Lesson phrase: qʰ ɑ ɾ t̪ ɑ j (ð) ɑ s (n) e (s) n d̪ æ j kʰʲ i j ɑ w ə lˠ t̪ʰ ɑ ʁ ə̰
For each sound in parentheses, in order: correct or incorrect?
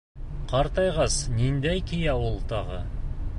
incorrect: ʁ, correct, incorrect: none

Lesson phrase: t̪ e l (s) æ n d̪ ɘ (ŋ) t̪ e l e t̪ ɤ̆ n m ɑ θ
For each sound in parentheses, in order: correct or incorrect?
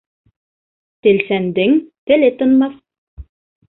correct, correct

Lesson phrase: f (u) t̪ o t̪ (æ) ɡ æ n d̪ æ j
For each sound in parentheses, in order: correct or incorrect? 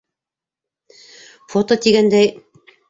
incorrect: o, incorrect: i

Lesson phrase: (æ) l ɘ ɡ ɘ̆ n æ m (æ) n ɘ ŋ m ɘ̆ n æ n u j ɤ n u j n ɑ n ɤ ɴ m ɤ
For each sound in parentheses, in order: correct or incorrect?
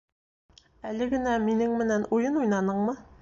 correct, incorrect: i

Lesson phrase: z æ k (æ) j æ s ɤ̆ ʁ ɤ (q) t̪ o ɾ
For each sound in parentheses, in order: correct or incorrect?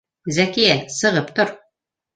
incorrect: i, incorrect: p

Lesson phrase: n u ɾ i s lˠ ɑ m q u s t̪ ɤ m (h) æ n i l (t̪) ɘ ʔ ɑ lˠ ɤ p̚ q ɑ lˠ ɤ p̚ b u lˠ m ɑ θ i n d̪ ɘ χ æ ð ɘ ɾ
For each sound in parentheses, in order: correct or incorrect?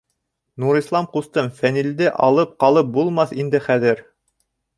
incorrect: f, incorrect: d̪

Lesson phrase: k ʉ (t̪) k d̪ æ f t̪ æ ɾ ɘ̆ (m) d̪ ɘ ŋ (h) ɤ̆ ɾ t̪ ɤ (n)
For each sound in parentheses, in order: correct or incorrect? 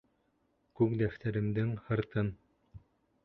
incorrect: none, correct, correct, correct

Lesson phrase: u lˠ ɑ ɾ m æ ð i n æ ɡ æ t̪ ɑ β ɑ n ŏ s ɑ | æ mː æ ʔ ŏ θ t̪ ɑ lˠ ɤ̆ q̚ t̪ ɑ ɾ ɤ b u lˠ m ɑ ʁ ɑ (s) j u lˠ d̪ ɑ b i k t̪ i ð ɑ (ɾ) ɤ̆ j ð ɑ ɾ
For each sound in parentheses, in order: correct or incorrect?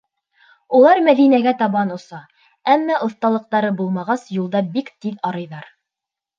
correct, correct

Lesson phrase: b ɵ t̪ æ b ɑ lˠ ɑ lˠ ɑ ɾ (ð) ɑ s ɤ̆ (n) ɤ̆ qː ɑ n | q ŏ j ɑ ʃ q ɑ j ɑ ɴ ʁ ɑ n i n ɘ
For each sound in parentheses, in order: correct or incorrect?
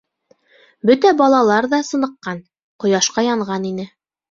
correct, correct

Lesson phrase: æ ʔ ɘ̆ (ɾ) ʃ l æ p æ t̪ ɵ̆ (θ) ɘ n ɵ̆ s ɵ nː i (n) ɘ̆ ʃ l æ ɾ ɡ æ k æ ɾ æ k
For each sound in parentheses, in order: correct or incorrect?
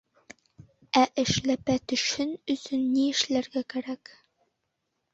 incorrect: none, incorrect: ʃ, incorrect: none

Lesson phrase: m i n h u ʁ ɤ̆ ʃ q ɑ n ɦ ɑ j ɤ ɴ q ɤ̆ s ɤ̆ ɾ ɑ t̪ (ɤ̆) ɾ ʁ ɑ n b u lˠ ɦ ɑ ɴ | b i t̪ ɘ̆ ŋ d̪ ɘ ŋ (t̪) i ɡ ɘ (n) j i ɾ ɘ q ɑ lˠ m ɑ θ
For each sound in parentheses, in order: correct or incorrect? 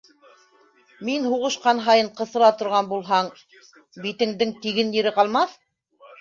incorrect: ŏ, correct, correct

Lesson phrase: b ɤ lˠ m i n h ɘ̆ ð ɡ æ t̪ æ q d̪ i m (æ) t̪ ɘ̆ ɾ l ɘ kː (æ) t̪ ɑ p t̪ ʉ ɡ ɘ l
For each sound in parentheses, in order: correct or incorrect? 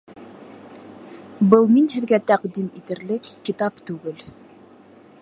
incorrect: i, incorrect: i

